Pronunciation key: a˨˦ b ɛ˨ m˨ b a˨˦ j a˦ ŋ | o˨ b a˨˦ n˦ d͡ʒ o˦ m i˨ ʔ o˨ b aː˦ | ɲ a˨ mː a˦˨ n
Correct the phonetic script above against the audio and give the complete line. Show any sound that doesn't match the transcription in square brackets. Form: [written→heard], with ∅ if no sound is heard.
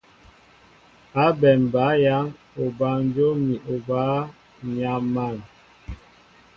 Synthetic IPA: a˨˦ b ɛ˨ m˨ b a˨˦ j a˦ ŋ | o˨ b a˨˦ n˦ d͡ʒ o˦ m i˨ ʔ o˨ b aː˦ | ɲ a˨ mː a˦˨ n